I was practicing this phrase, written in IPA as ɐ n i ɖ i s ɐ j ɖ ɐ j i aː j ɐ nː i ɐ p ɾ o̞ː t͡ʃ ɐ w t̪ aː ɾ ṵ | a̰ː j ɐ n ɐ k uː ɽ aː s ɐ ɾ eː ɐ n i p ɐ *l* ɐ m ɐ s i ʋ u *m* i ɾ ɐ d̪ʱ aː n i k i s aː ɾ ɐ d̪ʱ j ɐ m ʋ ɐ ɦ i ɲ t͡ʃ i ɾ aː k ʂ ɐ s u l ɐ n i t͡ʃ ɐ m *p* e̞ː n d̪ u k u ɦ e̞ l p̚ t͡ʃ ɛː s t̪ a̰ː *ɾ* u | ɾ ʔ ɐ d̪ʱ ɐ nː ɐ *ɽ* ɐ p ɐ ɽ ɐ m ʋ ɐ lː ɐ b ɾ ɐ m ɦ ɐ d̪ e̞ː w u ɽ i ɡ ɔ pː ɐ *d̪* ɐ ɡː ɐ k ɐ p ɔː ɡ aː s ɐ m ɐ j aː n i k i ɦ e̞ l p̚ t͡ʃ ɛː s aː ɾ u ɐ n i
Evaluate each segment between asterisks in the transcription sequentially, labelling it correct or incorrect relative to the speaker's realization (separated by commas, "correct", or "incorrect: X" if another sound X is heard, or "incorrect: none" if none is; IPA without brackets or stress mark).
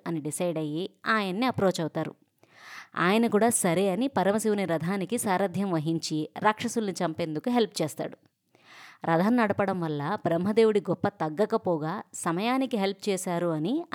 incorrect: ɾ, incorrect: n, correct, incorrect: ɽ, correct, incorrect: t̪